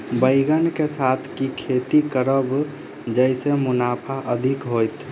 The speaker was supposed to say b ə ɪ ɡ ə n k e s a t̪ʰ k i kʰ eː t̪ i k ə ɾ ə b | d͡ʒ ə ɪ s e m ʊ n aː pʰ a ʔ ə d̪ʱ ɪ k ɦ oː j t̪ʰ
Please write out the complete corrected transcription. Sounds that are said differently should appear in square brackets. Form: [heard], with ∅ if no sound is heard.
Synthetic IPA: b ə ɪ ɡ ə n k e s a t̪ʰ k i kʰ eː t̪ i k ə ɾ ə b | d͡ʒ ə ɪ s e m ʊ n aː pʰ a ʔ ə d̪ʱ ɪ k ɦ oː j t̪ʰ